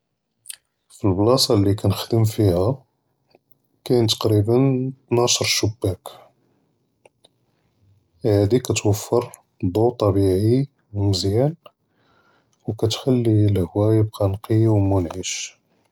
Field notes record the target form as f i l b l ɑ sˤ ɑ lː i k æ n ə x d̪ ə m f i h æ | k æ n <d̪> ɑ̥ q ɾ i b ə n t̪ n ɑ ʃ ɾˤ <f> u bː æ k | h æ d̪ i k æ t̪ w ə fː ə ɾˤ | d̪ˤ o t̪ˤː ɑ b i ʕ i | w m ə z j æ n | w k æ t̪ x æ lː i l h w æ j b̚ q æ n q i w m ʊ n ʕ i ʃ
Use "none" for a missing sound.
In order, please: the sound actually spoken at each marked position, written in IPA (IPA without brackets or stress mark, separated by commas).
t̪, ʃ